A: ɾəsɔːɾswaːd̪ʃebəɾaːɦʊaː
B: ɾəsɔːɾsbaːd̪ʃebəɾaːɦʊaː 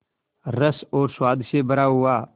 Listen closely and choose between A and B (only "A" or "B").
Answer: A